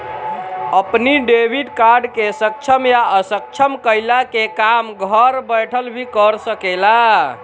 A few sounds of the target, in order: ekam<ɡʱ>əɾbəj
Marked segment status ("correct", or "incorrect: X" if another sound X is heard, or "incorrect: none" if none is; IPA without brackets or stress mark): correct